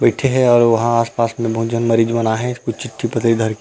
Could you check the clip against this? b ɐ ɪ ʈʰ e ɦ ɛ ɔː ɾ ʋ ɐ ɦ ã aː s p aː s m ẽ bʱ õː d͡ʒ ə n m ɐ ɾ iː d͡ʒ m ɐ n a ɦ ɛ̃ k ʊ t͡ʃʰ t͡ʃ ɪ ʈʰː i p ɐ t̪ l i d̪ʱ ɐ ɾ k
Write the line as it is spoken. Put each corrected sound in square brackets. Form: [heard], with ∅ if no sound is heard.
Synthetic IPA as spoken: b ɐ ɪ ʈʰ e ɦ ɛ ɔː ɾ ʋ ɐ ɦ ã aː s p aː s m ẽ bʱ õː d͡ʒ ə n m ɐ ɾ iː d͡ʒ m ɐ n a ɦ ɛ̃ k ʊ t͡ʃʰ t͡ʃ ɪ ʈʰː i p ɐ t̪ l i d̪ʱ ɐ ɾ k